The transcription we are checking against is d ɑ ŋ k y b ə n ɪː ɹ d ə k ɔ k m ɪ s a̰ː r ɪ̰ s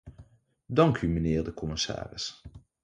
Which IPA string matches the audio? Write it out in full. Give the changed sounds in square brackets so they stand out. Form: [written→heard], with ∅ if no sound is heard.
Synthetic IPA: d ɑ ŋ k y [b→m] ə n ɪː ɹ d ə k ɔ [k→∅] m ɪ s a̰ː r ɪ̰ s